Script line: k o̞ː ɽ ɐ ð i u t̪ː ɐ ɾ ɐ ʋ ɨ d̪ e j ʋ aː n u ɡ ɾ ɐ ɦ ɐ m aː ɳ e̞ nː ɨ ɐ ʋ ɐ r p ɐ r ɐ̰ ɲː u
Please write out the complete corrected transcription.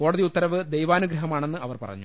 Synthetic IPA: k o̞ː ɽ ɐ ð i u t̪ː ɐ ɾ ɐ ʋ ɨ d̪ e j ʋ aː n u ɡ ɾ ɐ ɦ ɐ m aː ɳ e̞ nː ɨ ɐ ʋ ɐ r p ɐ r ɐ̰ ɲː u